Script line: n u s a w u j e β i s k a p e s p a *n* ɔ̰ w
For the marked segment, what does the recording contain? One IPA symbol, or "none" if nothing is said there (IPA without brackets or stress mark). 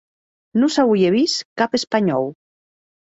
ɲ